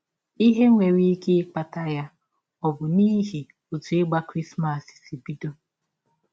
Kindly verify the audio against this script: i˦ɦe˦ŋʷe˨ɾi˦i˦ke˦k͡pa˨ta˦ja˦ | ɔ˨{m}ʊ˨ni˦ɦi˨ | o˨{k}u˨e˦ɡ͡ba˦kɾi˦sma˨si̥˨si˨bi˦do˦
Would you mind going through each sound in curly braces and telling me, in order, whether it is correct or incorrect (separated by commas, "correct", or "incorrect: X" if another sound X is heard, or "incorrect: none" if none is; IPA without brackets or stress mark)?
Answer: incorrect: b, incorrect: t